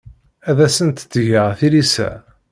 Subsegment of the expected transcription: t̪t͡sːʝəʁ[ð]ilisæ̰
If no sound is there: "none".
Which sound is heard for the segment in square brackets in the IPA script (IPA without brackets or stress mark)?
θ